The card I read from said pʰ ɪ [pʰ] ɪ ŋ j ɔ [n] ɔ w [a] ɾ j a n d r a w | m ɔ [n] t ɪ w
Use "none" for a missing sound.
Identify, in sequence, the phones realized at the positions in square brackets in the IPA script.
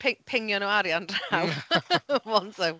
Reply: pʰ, n, a, n

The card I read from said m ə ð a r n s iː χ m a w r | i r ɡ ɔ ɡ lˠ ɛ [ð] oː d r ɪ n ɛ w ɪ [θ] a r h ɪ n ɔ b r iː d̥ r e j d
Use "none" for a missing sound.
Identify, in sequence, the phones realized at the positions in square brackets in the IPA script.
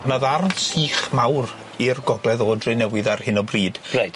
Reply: ð, ð

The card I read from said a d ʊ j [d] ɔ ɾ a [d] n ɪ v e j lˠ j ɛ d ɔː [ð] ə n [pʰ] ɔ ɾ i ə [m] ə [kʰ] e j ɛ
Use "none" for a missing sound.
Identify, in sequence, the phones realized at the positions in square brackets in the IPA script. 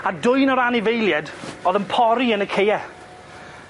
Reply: n, none, ð, pʰ, n, kʰ

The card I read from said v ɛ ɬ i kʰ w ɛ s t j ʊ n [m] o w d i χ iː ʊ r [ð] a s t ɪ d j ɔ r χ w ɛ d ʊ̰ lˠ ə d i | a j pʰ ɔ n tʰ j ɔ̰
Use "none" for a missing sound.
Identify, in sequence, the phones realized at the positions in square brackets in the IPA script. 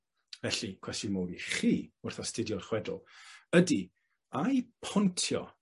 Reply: m, θ

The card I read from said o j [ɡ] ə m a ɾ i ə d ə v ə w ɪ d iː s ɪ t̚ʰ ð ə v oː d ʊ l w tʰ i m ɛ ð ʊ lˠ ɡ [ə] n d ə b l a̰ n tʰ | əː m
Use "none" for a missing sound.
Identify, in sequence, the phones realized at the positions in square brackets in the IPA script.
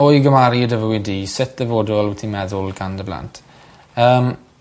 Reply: ɡ, a

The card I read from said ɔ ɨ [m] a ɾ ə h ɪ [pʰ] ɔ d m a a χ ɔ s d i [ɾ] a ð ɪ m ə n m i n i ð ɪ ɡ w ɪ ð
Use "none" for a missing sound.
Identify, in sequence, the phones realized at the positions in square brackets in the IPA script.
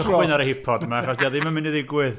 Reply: n, pʰ, none

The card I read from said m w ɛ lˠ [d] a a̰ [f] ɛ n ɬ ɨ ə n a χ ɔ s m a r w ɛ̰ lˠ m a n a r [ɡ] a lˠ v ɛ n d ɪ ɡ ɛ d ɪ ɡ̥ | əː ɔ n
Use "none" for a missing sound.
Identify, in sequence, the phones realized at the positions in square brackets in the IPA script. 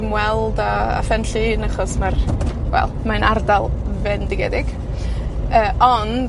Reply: d, f, d

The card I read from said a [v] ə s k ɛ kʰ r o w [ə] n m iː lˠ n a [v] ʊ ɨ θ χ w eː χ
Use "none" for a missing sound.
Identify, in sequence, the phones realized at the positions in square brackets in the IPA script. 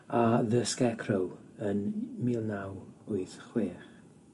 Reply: ð, ə, w

